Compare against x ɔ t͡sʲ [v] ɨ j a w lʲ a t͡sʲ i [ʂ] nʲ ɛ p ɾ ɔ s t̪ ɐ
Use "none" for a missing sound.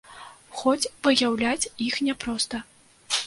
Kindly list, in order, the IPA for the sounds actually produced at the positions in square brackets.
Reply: v, x

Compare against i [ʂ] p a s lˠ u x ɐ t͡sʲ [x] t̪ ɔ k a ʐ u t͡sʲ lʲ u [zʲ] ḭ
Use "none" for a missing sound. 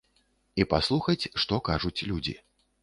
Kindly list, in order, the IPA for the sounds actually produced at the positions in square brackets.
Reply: none, ʂ, d͡zʲ

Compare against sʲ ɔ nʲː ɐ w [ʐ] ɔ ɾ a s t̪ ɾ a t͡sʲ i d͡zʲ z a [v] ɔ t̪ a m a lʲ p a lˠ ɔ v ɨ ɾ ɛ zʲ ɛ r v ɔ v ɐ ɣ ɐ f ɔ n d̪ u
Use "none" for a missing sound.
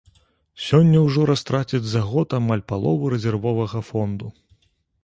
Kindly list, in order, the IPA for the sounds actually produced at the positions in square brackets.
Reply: ʐ, ɣ

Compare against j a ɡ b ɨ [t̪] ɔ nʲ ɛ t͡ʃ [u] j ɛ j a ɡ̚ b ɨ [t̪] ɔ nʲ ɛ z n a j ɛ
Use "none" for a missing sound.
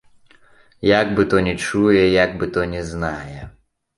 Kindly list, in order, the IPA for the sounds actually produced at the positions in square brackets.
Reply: t̪, u, t̪

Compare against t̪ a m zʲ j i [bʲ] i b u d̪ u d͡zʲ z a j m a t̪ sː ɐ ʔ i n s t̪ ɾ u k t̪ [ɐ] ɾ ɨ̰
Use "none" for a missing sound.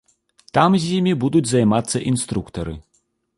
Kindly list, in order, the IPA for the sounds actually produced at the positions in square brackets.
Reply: mʲ, ɐ

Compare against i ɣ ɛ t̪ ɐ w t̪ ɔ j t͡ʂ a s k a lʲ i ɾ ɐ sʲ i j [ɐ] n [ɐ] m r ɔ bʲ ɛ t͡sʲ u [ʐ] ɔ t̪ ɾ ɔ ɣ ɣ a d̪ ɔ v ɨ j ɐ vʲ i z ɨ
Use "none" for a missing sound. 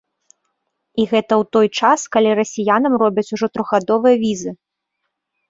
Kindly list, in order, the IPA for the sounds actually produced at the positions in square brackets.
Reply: a, ɐ, ʐ

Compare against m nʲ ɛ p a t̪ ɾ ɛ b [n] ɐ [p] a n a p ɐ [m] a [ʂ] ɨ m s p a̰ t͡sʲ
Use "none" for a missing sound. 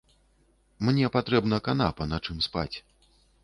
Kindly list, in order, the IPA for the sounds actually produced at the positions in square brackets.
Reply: n, k, n, t͡ʂ

